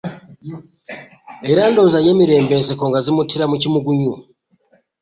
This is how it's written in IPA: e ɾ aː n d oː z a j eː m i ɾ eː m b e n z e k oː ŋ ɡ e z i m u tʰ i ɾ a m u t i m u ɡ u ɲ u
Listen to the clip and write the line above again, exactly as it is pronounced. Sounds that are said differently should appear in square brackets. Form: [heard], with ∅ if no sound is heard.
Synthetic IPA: e ɾ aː n d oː z a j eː m i ɾ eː m b e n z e k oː ŋ ɡ [a] z i m u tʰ i ɾ a m u [c] i m u ɡ u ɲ u